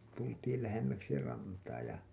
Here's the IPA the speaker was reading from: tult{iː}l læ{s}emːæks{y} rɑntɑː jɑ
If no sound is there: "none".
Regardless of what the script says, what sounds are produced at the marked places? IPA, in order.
iː, h, i

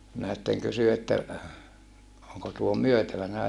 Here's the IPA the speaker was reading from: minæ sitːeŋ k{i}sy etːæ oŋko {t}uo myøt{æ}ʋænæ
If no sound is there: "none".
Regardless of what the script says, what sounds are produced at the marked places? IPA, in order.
y, t, æ

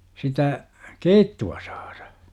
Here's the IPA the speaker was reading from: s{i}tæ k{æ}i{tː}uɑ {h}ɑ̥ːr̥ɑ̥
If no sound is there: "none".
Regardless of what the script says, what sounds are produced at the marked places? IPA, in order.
i, e, tː, s

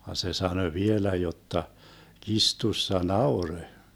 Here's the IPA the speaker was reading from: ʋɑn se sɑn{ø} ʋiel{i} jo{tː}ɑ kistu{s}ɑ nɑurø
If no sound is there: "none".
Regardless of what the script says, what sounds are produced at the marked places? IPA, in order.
ø, æ, tː, sː

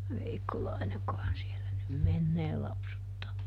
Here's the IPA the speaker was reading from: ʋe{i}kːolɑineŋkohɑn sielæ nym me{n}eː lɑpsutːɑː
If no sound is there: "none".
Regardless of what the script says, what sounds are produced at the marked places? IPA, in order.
i, nː

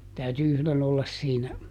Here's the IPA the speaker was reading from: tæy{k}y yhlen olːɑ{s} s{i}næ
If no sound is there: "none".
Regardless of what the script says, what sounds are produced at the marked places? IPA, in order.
t, s, iː

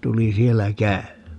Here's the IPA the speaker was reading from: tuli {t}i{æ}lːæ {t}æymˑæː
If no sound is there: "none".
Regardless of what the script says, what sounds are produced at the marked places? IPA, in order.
s, e, k

